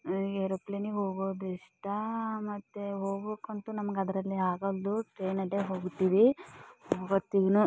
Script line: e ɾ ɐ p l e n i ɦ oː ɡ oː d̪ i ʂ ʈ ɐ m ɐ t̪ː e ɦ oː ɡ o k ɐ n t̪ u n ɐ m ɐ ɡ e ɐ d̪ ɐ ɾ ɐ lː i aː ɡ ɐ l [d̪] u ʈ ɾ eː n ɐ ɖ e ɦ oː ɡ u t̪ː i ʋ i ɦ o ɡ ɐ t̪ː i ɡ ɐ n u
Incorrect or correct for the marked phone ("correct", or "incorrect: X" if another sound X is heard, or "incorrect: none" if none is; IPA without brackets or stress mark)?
correct